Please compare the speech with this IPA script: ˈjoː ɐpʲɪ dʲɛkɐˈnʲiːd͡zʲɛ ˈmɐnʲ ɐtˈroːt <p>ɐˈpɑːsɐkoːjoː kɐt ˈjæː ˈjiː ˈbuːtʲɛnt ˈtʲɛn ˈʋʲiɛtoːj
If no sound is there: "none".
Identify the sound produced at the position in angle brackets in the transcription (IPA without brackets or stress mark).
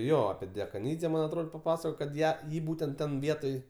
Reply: p